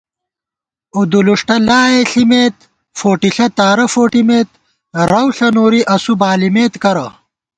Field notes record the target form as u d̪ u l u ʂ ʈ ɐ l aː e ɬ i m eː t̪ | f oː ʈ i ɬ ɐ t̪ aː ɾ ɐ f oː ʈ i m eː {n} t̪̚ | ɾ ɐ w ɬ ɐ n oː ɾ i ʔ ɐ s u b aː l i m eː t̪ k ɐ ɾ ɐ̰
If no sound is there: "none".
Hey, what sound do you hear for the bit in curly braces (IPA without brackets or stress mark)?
none